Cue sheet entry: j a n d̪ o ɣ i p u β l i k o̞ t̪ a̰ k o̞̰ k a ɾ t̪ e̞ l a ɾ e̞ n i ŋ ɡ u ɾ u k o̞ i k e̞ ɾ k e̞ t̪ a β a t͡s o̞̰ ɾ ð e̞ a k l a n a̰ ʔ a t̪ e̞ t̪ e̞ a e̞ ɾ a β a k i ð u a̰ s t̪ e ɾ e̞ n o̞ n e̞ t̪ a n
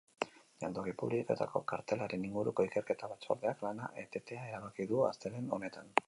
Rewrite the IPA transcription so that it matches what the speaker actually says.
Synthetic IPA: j a n d̪ o ɣ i p u β l i k o̞ t̪ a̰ k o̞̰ k a ɾ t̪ e̞ l a ɾ e̞ n i ŋ ɡ u ɾ u k o̞ i k e̞ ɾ k e̞ t̪ a β a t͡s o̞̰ ɾ ð e̞ a k l a n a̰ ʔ e t̪ e̞ t̪ e̞ a e̞ ɾ a β a k i ð u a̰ s t̪ e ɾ e̞ n o̞ n e̞ t̪ a n